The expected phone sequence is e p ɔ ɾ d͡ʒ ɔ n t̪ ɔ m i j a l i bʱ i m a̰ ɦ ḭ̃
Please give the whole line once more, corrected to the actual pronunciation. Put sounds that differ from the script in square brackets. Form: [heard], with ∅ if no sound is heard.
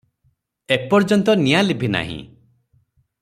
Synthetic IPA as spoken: e p ɔ ɾ d͡ʒ ɔ n t̪ ɔ [n] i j a l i bʱ i [n] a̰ ɦ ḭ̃